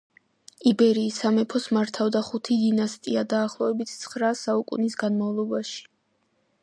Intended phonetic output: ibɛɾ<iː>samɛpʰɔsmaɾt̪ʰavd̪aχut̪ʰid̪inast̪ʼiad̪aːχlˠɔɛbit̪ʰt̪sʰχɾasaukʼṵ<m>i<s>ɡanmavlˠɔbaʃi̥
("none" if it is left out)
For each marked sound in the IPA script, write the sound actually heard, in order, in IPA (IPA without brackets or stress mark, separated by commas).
iː, n, s